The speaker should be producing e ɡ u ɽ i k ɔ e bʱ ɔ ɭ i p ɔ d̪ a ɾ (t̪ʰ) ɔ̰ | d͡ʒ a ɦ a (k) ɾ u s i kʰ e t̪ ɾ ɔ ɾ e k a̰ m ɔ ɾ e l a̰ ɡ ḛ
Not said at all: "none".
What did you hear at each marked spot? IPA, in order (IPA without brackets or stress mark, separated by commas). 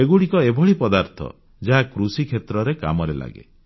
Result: t̪ʰ, k